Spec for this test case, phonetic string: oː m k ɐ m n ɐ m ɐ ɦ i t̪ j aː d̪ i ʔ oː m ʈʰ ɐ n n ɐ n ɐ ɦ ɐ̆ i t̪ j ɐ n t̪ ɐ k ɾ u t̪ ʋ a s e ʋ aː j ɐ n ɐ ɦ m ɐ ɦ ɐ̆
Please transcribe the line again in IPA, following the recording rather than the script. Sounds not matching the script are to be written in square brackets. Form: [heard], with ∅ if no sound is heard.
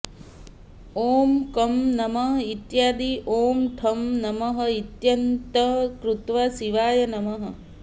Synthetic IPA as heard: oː m k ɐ m n ɐ m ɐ ɦ i t̪ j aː d̪ i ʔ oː m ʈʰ ɐ [m] n ɐ [m] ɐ ɦ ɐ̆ i t̪ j ɐ n t̪ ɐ k ɾ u t̪ ʋ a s [i] ʋ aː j ɐ n ɐ [∅] m ɐ ɦ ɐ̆